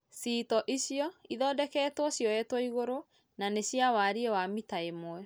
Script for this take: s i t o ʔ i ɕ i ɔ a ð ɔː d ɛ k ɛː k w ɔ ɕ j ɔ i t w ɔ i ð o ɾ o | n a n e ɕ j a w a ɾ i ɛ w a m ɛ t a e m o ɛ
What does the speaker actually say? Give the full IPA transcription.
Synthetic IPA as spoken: s i t ɔ ʔ i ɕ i ɔ i ð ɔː d ɛ k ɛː t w ɔ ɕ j ɔ ɛ t w ɔ i ɣ o ɾ o | n a n e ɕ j a w a ɾ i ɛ w a m i t a e m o ɛ